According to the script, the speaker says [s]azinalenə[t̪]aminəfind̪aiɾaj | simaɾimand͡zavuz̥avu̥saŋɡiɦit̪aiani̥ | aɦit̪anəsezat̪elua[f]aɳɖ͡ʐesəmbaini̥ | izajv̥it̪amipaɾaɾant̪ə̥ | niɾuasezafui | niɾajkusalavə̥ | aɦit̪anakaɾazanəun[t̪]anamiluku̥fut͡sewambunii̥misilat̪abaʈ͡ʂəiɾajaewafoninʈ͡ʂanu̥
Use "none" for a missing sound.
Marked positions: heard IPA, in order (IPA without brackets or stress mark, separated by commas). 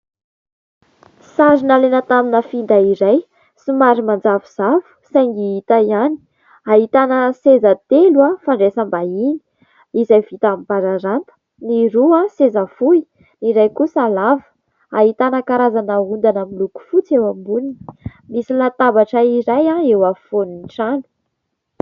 s, t̪, f, d̪